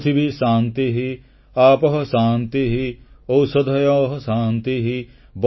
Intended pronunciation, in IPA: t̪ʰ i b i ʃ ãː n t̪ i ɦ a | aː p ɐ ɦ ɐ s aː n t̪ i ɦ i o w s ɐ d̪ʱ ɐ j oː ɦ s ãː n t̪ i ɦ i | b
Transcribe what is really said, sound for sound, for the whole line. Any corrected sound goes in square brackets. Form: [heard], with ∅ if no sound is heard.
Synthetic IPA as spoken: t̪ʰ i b i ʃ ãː n t̪ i ɦ [i] | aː p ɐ ɦ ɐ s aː n t̪ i ɦ i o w s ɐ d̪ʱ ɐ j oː ɦ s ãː n t̪ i ɦ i | b